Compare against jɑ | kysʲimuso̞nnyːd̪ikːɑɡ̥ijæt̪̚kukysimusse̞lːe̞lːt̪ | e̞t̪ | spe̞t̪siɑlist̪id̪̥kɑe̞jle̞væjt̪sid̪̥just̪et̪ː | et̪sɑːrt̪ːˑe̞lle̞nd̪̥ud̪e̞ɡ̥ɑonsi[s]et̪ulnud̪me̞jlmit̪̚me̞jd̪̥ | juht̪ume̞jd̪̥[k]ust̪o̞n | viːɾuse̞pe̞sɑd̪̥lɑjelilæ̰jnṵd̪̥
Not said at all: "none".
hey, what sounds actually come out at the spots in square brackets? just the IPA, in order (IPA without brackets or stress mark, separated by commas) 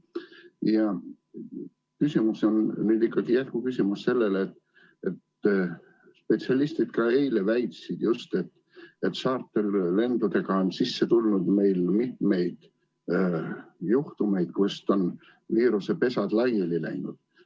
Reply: sː, k